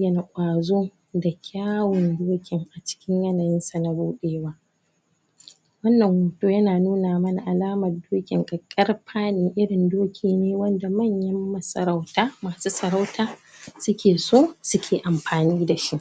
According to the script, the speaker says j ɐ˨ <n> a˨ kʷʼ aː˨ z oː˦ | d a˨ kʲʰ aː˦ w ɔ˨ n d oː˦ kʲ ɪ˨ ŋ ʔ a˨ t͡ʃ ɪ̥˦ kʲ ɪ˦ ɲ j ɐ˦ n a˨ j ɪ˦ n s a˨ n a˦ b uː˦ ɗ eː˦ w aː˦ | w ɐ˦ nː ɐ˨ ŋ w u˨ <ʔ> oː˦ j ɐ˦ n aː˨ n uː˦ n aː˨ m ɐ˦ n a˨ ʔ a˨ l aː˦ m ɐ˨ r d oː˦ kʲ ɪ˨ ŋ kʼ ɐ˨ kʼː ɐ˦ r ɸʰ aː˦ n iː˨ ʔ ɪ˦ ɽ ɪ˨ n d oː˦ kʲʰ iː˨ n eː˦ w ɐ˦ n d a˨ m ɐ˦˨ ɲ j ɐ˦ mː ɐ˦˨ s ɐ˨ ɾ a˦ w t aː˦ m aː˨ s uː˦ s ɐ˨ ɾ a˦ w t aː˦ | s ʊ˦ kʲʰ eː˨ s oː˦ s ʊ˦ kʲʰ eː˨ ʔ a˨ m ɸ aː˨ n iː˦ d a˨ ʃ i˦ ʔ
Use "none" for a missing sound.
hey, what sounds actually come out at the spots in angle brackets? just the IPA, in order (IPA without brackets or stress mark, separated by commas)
n, t